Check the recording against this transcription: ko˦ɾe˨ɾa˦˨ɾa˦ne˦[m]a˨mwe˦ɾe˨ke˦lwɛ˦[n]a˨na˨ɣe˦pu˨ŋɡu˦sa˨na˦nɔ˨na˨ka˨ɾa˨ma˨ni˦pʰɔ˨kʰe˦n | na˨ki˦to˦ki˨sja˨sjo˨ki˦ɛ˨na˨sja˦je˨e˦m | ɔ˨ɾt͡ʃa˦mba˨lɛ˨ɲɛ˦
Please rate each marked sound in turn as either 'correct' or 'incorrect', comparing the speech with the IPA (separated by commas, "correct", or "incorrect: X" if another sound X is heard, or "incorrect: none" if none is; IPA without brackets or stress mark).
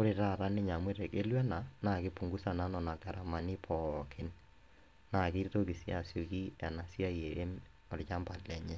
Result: incorrect: ɲ, correct